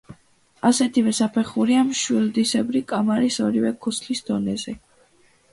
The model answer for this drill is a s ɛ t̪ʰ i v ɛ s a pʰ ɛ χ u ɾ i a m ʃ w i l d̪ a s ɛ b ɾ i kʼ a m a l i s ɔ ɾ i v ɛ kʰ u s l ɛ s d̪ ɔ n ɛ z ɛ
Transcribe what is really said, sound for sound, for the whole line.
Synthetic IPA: a s ɛ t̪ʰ i v ɛ s a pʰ ɛ χ u ɾ i a m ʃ w i l d̪ i s ɛ b ɾ i kʼ a m a ɾ i s ɔ ɾ i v ɛ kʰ u s l i s d̪ ɔ n ɛ z ɛ